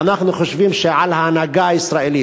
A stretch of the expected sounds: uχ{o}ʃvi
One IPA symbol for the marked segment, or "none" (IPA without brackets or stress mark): o